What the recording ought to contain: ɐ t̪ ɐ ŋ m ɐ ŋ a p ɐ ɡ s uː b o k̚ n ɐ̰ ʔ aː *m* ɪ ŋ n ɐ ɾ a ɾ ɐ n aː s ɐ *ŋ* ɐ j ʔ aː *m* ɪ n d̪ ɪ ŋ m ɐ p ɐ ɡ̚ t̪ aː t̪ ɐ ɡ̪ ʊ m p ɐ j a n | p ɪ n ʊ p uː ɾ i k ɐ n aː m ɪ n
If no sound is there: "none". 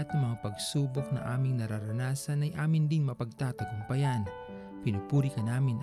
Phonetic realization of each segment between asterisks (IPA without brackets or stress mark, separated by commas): m, n, m